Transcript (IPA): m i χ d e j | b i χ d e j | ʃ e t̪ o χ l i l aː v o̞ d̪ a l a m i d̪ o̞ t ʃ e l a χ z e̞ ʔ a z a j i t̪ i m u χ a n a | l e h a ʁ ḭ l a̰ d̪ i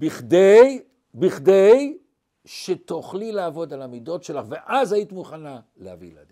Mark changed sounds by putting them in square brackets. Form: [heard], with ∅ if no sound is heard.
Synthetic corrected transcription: [b] i χ d e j | b i χ d e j | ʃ e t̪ o χ l i l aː v o̞ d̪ a l a m i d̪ o̞ t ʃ e l a χ [v] e̞ ʔ a z a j i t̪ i m u χ a n a | l e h a [v] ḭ l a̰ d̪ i